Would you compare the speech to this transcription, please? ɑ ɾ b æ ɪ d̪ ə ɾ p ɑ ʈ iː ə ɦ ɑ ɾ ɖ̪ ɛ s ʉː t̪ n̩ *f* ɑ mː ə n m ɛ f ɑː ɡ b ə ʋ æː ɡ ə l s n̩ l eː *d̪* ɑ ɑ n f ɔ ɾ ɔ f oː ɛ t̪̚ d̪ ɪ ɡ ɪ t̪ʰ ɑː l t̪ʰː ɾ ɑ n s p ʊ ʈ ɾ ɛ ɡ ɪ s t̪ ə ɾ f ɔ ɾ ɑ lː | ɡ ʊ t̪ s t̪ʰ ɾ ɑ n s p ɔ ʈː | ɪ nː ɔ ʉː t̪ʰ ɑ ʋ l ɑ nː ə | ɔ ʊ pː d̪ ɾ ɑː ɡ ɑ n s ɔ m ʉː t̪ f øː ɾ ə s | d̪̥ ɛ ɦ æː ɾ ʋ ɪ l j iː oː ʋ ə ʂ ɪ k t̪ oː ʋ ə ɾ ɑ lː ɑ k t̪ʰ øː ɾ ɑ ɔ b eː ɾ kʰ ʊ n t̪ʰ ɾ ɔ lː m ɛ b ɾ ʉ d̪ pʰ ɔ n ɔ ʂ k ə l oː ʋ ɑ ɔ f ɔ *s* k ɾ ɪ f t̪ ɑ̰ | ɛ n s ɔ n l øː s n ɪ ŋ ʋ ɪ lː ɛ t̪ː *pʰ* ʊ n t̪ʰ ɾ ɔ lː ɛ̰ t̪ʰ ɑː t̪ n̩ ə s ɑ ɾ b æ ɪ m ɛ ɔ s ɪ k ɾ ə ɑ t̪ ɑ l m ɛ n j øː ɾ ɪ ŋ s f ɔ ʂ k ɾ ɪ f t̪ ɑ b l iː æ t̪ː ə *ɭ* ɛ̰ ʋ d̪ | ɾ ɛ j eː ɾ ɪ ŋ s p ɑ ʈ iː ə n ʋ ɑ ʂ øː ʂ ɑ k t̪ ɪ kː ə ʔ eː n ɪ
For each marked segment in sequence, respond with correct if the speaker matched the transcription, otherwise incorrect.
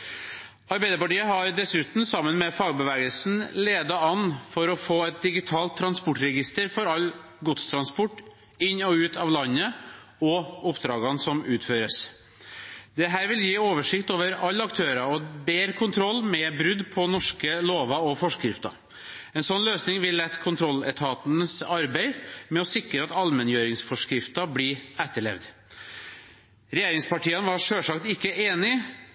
incorrect, correct, incorrect, incorrect, correct

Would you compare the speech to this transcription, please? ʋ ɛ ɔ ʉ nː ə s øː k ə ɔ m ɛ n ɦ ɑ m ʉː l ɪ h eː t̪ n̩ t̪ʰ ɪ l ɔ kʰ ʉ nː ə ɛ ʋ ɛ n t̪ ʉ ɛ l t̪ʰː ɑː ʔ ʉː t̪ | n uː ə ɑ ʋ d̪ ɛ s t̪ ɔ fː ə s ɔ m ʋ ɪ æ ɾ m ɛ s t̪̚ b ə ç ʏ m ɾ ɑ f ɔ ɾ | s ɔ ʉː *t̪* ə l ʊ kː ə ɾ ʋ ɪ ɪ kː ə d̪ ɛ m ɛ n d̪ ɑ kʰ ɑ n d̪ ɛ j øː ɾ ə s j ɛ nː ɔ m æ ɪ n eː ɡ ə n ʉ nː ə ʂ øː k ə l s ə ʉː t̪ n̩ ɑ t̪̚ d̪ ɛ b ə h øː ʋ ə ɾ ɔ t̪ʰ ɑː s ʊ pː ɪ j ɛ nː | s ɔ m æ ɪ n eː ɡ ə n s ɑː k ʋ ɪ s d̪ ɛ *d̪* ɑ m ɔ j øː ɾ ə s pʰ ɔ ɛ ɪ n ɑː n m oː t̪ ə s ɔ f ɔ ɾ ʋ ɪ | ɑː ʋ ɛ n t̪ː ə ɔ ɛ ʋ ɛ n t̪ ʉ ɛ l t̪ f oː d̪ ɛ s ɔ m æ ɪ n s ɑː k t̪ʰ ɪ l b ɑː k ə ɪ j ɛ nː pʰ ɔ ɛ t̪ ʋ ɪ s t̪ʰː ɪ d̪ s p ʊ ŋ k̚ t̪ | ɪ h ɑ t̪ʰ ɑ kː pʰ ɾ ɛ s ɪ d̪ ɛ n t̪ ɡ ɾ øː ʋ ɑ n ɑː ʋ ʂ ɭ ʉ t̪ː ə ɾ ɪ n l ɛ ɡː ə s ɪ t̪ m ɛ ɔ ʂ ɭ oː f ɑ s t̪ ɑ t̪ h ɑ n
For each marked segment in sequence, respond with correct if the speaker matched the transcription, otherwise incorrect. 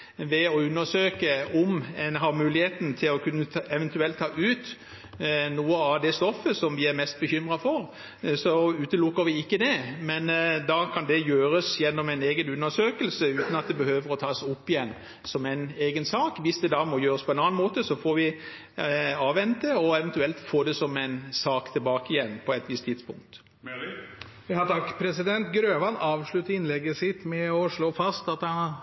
correct, correct

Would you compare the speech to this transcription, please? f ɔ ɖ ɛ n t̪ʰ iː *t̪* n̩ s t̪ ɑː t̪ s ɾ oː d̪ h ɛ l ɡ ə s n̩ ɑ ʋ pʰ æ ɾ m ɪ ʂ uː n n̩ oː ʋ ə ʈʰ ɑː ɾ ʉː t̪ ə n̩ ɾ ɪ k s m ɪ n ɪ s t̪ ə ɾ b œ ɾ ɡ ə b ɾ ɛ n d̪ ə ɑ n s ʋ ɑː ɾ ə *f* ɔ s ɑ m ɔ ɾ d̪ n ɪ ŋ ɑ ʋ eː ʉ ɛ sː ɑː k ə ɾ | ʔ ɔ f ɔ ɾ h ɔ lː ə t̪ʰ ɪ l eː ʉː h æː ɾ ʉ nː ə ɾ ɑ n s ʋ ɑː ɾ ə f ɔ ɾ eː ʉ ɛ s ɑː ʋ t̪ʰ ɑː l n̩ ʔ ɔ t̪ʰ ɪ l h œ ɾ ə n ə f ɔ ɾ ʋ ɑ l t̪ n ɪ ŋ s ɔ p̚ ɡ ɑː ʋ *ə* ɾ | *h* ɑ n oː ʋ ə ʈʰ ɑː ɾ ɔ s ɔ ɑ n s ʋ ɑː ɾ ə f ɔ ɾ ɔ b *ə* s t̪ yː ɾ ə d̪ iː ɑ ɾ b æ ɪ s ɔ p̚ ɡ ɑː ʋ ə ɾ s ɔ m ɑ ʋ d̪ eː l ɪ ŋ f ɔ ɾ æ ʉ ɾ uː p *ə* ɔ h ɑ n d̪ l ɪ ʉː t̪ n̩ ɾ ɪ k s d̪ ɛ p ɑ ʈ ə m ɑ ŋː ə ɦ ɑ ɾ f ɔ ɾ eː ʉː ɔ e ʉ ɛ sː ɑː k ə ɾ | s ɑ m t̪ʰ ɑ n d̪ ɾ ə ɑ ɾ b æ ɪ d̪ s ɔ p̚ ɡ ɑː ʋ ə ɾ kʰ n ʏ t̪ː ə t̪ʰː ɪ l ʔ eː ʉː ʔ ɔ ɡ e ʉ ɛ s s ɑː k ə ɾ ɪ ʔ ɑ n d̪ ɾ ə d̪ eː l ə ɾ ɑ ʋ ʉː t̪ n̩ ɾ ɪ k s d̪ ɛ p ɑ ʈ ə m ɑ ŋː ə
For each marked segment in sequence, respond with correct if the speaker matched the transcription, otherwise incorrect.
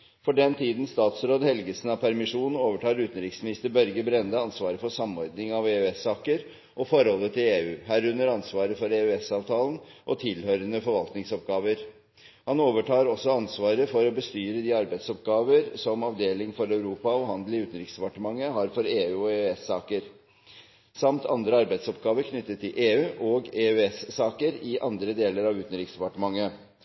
incorrect, correct, correct, correct, correct, incorrect

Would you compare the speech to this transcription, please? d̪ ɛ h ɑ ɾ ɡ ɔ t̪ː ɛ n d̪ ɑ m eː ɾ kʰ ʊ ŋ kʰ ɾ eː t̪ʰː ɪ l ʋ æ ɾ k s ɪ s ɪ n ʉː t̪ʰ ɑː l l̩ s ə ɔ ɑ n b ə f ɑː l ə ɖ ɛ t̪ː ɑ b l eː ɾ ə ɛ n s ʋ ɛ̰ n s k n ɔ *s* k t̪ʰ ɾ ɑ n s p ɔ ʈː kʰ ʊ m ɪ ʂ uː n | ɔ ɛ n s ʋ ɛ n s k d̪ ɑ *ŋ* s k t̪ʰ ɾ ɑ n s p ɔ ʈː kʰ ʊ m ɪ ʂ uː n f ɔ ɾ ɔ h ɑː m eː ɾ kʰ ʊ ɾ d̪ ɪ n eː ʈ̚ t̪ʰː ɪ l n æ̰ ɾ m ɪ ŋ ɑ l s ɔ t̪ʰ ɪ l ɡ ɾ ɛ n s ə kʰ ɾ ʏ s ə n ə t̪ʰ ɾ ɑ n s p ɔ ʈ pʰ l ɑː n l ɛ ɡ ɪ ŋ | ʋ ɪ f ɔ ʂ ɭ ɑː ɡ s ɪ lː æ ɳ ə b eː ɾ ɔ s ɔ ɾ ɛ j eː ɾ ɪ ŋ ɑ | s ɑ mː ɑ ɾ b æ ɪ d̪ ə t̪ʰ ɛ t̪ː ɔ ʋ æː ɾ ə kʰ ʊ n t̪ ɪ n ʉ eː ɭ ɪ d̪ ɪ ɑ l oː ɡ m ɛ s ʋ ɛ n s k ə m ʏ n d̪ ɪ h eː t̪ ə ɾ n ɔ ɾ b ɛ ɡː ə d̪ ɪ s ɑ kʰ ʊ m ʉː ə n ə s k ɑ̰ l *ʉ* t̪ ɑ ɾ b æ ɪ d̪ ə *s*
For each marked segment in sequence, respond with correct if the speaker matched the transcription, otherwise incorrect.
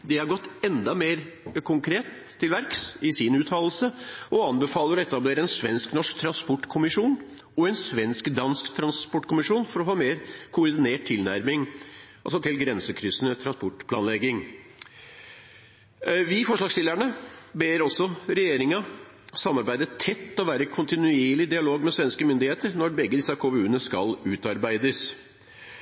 incorrect, incorrect, incorrect, correct

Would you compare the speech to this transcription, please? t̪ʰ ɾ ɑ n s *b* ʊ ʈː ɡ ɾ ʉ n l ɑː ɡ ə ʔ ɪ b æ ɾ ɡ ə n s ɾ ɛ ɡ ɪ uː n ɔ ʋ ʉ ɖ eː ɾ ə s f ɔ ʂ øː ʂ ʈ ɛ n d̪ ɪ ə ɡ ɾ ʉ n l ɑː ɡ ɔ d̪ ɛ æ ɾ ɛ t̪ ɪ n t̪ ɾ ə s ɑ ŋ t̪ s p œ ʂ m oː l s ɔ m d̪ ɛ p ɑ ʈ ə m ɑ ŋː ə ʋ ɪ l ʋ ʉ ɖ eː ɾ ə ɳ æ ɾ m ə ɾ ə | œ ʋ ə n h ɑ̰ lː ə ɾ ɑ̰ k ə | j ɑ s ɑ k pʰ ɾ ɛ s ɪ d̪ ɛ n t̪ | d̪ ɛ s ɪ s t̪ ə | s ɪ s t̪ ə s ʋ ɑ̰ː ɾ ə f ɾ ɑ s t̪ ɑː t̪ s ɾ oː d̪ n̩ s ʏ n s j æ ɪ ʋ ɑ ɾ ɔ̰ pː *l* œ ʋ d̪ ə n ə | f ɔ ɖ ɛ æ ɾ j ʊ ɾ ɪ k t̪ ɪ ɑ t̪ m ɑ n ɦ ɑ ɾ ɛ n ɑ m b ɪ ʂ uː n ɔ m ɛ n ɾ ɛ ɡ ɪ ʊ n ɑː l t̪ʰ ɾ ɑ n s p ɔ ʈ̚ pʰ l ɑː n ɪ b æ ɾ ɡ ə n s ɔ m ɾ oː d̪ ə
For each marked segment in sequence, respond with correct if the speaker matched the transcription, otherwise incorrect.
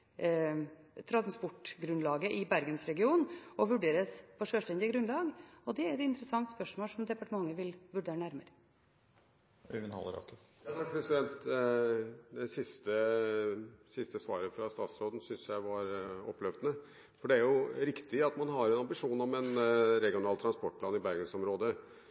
incorrect, correct

